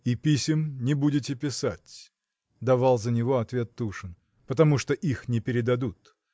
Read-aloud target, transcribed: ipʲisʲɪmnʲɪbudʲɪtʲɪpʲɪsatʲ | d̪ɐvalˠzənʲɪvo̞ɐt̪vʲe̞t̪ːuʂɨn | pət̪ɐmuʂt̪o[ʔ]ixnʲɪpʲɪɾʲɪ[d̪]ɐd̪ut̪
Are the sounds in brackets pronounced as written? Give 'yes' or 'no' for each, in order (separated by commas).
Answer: yes, yes